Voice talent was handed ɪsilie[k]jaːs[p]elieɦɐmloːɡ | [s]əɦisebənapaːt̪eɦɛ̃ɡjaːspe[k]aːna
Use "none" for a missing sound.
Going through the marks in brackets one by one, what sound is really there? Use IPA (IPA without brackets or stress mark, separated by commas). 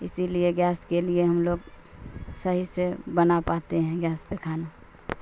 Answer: ɡ, k, s, kʰ